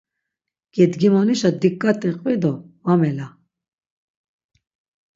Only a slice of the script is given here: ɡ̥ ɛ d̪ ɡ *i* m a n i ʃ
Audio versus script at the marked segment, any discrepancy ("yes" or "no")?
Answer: no